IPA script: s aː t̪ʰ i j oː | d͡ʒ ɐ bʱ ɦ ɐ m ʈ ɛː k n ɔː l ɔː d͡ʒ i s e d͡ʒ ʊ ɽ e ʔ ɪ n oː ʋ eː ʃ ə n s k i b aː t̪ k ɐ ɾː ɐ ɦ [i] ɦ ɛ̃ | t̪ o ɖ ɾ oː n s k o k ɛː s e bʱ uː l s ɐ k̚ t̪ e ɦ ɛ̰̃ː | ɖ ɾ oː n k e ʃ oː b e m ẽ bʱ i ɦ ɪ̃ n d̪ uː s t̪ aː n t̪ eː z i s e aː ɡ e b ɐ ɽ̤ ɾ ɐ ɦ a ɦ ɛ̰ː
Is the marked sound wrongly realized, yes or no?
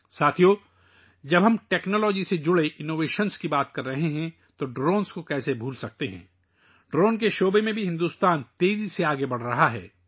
yes